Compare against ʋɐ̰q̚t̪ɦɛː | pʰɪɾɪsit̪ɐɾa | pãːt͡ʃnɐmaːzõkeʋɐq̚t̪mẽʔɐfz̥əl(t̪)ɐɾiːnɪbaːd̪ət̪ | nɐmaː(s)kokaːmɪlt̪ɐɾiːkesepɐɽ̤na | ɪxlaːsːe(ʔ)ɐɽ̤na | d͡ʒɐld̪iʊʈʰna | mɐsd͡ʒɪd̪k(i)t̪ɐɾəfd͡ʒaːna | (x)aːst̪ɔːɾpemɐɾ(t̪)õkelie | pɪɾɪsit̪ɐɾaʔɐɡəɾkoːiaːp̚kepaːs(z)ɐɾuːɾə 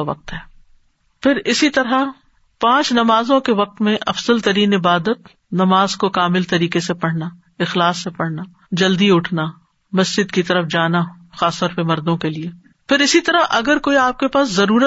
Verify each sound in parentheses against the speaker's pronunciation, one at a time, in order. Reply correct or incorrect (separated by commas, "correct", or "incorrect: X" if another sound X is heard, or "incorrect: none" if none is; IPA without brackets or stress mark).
correct, incorrect: z, incorrect: p, correct, correct, incorrect: d̪, correct